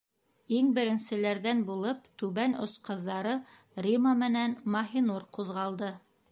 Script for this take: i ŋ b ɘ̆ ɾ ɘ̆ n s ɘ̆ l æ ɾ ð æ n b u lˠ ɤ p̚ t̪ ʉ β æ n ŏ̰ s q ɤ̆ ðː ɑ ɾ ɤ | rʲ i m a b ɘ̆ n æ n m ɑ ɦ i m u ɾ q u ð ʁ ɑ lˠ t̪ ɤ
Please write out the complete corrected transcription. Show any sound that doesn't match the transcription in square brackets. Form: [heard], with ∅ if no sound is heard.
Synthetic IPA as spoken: i ŋ b ɘ̆ ɾ ɘ̆ n s ɘ̆ l æ ɾ ð æ n b u lˠ ɤ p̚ t̪ ʉ β æ n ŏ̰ s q ɤ̆ ðː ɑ ɾ ɤ | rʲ i m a [m] ɘ̆ n æ n m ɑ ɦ i [n] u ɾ q u ð ʁ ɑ lˠ [d̪] ɤ